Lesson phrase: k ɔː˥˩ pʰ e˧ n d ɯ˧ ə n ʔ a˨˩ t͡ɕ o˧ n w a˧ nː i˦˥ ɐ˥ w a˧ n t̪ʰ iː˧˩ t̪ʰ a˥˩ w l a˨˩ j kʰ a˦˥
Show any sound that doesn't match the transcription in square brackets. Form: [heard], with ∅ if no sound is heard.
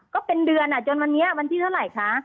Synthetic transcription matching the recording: k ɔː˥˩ [p] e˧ n d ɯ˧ ə n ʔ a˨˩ t͡ɕ o˧ n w a˧ nː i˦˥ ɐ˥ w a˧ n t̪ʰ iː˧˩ t̪ʰ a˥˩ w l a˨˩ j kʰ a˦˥

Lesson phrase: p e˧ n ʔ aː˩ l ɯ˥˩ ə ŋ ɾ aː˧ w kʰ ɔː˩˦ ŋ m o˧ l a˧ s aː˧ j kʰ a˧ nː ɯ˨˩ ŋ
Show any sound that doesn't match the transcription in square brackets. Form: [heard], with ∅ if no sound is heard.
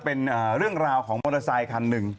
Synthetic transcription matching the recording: p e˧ n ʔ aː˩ [ɾ] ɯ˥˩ ə ŋ ɾ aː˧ w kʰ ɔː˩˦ ŋ m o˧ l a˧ s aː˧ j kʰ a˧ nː ɯ˨˩ ŋ

